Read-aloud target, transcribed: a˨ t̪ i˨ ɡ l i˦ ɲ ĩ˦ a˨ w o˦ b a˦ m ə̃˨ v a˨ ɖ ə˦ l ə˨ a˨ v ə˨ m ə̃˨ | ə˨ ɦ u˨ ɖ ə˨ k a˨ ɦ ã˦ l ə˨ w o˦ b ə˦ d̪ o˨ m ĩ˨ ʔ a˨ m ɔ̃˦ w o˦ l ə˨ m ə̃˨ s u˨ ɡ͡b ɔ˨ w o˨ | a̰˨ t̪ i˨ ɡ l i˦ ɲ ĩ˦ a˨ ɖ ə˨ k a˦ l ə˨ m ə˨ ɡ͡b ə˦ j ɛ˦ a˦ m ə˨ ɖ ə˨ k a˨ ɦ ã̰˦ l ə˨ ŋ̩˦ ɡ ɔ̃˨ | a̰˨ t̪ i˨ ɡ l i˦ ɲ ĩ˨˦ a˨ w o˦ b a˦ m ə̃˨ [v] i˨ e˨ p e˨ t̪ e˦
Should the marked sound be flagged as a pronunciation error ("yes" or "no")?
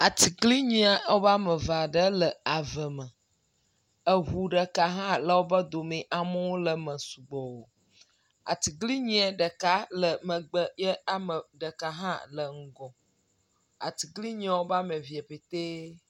no